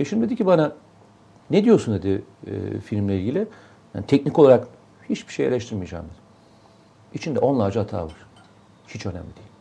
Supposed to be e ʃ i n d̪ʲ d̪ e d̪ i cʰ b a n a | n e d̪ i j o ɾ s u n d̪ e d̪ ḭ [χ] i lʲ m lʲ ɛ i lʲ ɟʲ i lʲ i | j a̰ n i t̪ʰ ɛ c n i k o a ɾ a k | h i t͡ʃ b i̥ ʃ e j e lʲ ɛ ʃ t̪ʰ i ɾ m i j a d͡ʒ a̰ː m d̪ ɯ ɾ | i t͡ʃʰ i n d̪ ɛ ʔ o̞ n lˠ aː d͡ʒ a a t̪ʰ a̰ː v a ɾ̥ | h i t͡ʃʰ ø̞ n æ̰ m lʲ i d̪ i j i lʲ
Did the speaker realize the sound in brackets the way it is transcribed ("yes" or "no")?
no